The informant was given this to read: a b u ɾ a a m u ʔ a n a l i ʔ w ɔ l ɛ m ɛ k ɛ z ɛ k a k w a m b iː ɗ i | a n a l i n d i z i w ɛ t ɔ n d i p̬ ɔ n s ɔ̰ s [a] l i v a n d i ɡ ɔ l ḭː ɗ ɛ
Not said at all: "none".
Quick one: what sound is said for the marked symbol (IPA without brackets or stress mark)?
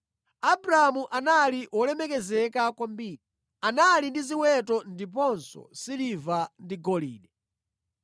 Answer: i